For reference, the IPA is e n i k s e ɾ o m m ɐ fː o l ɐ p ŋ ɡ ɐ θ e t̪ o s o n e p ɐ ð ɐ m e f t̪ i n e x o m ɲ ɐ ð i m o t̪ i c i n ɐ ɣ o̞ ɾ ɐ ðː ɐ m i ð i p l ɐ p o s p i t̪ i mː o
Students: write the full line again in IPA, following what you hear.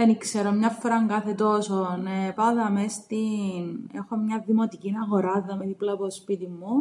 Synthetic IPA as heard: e n i k s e ɾ o m ɲ ɐ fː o ɾ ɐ ŋ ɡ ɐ θ e t̪ o s o n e p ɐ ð ɐ m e s t̪ i n e x o m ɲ ɐ ð i m o t̪ i c i n ɐ ɣ o̞ ɾ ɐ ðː ɐ m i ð i p l ɐ p o s p i t̪ i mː u